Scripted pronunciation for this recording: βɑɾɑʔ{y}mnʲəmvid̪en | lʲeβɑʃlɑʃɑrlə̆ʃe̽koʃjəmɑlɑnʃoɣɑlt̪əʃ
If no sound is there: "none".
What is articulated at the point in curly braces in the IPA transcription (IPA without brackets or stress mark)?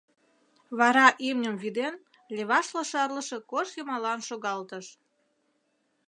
i